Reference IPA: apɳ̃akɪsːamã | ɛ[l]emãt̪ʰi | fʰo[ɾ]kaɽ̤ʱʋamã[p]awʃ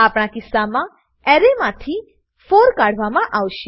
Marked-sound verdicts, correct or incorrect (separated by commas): incorrect, correct, incorrect